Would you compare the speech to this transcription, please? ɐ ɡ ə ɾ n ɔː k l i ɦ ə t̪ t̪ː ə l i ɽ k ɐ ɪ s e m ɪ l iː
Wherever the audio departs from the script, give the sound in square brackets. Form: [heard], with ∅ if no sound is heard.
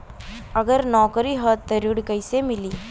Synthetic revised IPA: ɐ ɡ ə ɾ n ɔː k [ɾ] i ɦ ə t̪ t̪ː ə [ɾ] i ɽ k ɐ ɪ s e m ɪ l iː